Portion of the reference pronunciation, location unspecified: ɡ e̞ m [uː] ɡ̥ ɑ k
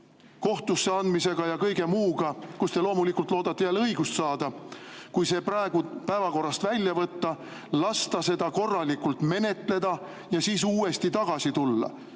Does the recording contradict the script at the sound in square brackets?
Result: no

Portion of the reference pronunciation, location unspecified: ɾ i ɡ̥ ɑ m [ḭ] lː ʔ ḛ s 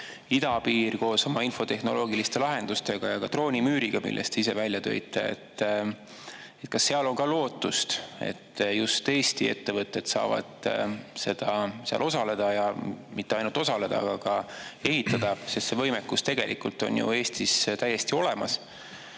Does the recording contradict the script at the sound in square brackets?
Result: no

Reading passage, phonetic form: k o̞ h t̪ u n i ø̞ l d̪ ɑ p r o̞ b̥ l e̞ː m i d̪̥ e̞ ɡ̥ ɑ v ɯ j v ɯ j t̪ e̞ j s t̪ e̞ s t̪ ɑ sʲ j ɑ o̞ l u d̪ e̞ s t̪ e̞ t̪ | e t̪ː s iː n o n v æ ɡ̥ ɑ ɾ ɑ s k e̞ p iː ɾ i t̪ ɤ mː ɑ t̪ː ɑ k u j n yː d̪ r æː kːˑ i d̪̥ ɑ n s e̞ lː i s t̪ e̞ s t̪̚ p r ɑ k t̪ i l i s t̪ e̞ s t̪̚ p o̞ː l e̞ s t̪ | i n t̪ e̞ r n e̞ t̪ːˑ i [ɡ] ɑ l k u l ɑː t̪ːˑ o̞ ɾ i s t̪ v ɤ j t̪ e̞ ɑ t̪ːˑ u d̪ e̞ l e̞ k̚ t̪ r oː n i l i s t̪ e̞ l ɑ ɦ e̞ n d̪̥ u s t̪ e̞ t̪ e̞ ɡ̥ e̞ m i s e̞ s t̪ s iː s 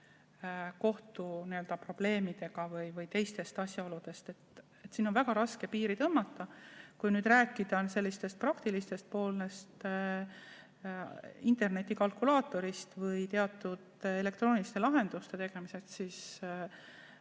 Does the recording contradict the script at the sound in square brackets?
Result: yes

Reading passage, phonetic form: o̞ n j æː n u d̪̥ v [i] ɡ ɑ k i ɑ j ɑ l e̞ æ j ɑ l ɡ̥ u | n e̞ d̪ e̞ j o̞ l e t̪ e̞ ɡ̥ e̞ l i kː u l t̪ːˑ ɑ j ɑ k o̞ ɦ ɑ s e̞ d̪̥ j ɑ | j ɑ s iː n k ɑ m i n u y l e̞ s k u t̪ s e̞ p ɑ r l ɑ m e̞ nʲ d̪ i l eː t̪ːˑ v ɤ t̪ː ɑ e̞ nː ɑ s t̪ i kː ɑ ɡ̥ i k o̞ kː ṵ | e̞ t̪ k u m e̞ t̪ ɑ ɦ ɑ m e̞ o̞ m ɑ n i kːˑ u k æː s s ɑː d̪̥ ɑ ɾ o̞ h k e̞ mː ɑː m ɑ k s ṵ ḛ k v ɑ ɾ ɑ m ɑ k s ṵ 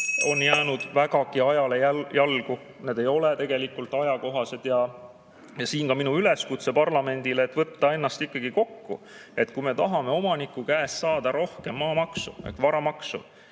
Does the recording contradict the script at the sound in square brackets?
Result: yes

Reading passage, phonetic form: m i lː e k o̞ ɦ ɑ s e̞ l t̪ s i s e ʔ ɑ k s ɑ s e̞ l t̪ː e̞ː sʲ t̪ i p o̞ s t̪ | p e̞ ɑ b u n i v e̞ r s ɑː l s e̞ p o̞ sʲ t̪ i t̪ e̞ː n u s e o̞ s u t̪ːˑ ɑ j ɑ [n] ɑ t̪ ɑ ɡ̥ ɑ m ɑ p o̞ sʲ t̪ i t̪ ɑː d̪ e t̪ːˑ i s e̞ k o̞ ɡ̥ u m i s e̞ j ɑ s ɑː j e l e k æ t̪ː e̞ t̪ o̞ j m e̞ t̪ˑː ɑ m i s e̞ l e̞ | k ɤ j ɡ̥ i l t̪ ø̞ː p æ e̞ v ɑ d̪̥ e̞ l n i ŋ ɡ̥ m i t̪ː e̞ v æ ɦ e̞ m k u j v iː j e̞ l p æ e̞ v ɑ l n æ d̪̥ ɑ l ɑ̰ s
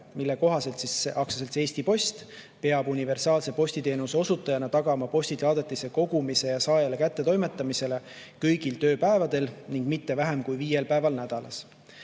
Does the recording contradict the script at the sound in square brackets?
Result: no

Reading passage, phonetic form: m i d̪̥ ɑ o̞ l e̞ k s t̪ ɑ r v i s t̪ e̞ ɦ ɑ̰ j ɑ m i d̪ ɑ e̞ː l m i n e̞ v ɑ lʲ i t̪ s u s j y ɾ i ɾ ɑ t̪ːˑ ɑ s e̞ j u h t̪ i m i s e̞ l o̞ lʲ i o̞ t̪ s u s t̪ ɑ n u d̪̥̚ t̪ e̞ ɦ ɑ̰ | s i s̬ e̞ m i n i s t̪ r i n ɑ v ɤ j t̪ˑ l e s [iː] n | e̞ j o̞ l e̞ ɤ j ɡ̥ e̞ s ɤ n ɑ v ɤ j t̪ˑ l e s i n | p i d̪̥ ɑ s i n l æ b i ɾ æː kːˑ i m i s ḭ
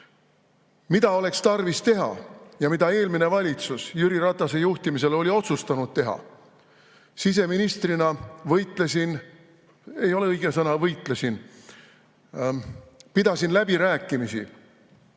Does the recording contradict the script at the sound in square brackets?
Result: yes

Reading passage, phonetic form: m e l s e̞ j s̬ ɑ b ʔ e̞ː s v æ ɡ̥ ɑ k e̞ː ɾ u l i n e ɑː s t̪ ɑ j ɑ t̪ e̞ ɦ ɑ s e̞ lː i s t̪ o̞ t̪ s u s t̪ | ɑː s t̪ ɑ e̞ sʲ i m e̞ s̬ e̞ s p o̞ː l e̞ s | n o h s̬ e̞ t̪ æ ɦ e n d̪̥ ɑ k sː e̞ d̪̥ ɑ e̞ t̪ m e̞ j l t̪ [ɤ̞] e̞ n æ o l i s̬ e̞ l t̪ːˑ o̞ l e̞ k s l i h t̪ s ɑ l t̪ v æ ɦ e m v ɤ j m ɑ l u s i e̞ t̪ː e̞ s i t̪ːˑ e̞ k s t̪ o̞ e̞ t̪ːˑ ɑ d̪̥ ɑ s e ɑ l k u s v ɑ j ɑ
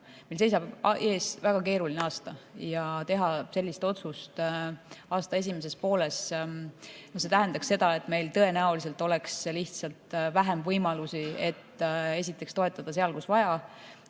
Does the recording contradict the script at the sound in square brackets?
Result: no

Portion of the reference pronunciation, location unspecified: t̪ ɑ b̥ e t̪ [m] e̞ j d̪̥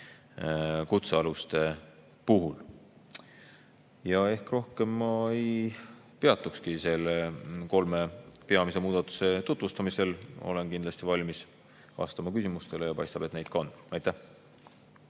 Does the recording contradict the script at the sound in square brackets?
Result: yes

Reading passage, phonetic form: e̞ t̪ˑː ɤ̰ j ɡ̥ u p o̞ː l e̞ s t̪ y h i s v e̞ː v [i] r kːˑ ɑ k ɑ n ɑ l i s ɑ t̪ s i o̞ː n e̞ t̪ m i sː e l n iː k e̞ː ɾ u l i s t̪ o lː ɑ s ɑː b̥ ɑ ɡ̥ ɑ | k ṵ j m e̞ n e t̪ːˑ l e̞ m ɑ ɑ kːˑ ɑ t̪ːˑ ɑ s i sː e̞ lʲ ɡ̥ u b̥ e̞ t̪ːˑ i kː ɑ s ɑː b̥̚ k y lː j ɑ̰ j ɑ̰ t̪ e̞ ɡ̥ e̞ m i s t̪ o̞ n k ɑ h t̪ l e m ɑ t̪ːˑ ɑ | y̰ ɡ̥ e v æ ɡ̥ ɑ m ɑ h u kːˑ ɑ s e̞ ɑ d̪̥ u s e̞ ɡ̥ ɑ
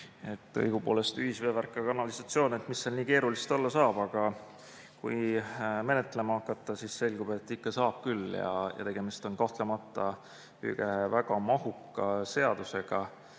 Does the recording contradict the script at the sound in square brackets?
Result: yes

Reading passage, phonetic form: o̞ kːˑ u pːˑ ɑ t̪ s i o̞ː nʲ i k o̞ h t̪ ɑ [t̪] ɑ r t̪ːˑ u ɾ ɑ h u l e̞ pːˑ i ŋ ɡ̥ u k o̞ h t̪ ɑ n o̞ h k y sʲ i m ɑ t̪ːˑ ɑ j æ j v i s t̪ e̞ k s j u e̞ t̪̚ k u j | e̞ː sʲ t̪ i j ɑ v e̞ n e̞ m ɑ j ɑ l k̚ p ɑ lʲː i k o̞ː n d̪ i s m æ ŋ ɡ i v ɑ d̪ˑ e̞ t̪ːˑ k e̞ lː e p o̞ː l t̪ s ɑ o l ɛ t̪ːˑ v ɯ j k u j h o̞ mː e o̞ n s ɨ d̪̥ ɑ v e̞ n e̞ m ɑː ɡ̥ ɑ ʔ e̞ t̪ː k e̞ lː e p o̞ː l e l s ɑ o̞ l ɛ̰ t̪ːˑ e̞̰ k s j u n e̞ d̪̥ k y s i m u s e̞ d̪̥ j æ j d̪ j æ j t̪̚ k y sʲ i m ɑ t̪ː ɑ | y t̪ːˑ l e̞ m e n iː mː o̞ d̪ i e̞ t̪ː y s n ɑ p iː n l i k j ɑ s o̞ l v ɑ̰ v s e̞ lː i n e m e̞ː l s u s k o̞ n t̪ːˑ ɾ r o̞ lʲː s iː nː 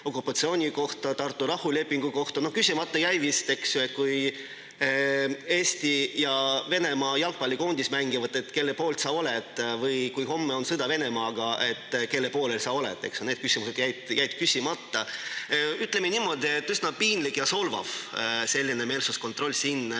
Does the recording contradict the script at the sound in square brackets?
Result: no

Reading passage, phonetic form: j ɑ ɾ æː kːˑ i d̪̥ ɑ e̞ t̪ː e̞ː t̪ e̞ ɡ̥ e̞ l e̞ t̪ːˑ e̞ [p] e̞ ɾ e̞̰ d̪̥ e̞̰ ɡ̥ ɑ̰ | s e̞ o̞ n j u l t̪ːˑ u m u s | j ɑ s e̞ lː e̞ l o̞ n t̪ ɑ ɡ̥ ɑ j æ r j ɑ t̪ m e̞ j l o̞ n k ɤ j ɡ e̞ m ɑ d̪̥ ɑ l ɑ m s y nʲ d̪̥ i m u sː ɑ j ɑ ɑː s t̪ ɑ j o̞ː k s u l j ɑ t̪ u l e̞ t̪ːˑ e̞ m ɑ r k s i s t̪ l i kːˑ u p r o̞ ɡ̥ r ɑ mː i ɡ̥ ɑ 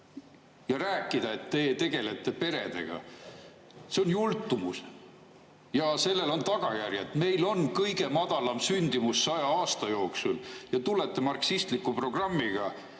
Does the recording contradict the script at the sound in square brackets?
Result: no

